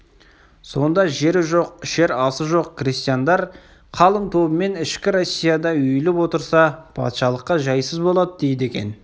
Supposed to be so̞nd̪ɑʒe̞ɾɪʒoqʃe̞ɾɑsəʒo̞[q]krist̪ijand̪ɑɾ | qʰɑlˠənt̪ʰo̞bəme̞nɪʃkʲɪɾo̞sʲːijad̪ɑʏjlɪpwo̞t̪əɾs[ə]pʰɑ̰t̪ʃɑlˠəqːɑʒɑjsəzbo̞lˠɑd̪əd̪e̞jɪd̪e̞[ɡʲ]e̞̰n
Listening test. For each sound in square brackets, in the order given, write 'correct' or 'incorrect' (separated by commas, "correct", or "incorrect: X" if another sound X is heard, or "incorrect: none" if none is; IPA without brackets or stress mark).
correct, incorrect: ɑ, incorrect: kʲ